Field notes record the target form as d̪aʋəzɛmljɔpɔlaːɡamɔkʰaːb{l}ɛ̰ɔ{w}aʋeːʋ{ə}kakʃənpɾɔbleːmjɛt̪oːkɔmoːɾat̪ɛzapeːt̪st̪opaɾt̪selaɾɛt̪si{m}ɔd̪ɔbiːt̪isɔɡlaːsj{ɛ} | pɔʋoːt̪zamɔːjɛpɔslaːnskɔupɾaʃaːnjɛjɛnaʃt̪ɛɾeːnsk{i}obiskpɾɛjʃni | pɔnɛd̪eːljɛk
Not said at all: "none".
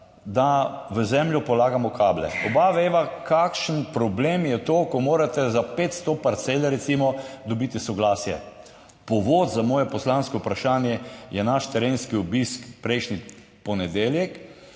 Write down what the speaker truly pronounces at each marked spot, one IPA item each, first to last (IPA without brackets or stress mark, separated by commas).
l, b, a, m, ɛ, i